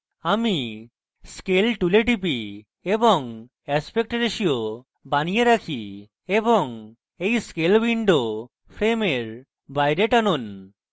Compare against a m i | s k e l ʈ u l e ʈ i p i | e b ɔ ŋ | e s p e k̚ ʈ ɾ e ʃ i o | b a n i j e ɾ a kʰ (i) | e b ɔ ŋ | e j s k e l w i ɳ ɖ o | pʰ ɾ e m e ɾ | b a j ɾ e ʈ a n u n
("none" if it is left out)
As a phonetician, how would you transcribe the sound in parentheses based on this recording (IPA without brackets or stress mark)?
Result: i